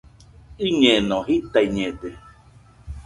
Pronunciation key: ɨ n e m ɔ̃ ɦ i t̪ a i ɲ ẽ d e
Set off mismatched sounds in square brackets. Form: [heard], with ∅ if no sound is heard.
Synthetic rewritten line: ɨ [ɲ] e [n] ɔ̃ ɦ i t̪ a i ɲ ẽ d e

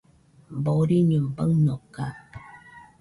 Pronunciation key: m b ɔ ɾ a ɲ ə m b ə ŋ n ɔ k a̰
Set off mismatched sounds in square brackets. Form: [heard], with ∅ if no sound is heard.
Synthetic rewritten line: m b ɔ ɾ [i] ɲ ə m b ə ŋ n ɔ k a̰

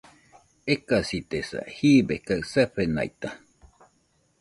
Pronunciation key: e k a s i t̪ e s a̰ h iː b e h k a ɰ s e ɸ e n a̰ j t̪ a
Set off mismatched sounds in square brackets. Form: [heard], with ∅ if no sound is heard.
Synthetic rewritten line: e k a s i t̪ e s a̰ h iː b e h k a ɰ s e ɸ e n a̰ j t̪ a

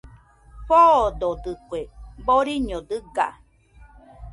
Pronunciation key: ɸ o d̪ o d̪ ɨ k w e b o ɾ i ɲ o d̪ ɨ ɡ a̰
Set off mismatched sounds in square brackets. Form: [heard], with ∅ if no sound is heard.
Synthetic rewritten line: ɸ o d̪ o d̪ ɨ k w e b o ɾ i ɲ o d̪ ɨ ɡ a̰

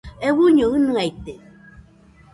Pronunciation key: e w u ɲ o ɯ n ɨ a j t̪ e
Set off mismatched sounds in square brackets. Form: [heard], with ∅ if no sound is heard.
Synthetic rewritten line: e w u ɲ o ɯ n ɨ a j t̪ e

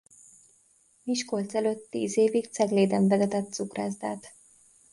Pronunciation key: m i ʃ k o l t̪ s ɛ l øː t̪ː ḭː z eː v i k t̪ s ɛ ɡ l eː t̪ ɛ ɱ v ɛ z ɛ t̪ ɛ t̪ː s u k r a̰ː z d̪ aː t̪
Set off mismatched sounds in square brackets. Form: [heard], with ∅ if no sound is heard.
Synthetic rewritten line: m i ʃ k o l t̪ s ɛ l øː t̪ː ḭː z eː v i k t̪ s ɛ ɡ l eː [d̪] ɛ ɱ v ɛ z ɛ t̪ ɛ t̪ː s u k r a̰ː z d̪ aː t̪

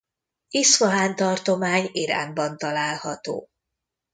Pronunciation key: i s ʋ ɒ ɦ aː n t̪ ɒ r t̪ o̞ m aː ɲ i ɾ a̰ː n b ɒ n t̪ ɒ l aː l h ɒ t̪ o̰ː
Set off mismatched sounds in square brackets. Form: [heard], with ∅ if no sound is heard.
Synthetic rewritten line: i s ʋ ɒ ɦ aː n t̪ ɒ r t̪ o̞ m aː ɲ i ɾ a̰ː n b ɒ n t̪ ɒ l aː l h ɒ t̪ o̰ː

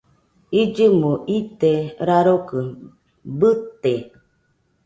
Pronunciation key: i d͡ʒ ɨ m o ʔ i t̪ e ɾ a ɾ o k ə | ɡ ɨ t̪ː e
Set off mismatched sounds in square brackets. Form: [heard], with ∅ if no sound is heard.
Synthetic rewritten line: i d͡ʒ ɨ m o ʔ i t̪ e ɾ a ɾ o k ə | [b] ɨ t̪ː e

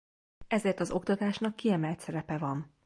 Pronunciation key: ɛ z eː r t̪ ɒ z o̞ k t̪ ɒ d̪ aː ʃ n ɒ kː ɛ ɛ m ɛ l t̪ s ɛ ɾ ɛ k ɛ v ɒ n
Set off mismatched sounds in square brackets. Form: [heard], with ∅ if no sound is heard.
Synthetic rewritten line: ɛ z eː r t̪ ɒ z o̞ k t̪ ɒ [t̪] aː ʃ n ɒ kː [i] ɛ m ɛ l t̪ s ɛ ɾ ɛ [p] ɛ v ɒ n

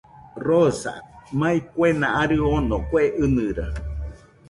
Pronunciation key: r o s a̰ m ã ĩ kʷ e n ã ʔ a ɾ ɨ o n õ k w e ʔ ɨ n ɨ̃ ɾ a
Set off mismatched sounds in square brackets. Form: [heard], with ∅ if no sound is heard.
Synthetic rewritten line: r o s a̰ m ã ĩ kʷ e n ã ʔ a ɾ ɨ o n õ k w e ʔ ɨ n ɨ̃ ɾ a

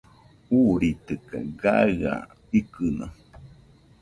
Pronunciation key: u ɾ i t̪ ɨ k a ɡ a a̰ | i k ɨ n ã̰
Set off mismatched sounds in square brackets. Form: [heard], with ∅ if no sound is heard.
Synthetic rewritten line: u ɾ i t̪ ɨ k a ɡ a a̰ | i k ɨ n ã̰

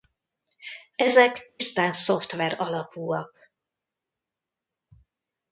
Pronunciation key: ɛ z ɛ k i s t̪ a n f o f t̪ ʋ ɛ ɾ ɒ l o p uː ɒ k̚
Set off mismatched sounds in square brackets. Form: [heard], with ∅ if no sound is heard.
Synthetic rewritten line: ɛ z ɛ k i s t̪ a n [s] o f t̪ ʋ ɛ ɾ ɒ l [ɒ] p uː ɒ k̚

